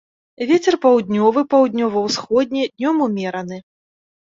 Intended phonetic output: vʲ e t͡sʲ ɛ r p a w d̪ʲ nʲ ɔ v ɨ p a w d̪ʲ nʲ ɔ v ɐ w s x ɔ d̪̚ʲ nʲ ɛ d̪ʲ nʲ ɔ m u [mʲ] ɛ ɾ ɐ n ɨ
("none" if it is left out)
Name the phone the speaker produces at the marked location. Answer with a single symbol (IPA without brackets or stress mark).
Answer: mʲ